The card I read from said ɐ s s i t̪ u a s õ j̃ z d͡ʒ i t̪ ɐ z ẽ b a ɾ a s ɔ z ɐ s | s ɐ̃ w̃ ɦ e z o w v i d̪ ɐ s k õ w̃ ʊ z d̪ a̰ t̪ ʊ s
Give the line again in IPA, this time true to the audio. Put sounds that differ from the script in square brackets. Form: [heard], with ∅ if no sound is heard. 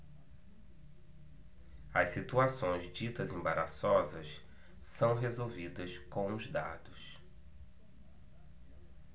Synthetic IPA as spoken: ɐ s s i t̪ u a s õ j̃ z d͡ʒ i t̪ ɐ z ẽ b a ɾ a s ɔ z ɐ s | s ɐ̃ w̃ ɦ e z o w v i d̪ ɐ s k õ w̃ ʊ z d̪ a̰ [d̪] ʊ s